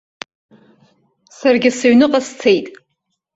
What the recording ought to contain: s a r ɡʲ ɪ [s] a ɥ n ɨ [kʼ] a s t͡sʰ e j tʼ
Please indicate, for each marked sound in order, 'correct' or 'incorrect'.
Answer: correct, incorrect

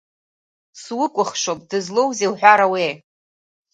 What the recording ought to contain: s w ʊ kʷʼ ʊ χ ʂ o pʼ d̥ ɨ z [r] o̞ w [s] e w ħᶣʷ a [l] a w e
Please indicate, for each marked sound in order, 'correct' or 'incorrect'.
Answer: incorrect, incorrect, incorrect

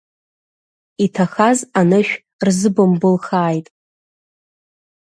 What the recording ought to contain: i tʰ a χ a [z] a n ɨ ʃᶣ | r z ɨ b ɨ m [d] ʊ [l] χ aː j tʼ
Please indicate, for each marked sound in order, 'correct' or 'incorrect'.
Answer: correct, incorrect, correct

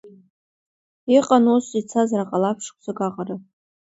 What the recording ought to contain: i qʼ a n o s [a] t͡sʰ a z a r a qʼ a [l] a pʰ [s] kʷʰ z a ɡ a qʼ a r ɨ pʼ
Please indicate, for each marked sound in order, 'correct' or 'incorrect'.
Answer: incorrect, correct, incorrect

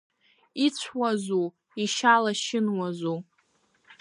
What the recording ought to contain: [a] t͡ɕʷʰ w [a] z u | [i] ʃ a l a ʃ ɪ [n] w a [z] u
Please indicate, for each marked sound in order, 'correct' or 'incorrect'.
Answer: incorrect, correct, correct, correct, correct

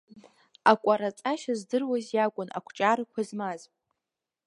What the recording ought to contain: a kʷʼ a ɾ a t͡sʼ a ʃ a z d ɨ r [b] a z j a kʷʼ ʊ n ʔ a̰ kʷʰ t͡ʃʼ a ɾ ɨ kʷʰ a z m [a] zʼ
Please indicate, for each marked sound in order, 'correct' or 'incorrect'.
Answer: incorrect, correct

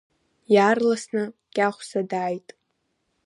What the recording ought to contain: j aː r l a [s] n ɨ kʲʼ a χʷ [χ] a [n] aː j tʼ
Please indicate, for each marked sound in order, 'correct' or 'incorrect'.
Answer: correct, incorrect, incorrect

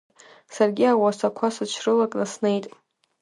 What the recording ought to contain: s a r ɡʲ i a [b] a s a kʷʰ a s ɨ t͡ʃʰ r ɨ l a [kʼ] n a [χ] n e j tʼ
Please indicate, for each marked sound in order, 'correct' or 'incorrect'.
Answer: incorrect, correct, incorrect

